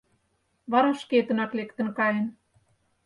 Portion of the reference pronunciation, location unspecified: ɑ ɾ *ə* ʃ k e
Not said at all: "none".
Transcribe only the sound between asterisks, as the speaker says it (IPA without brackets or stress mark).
ɑ